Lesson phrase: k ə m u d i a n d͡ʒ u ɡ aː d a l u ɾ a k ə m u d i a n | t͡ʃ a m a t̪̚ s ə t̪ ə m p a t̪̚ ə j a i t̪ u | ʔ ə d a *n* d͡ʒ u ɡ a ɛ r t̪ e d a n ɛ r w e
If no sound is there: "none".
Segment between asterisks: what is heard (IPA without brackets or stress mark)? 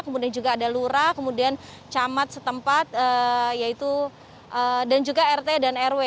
n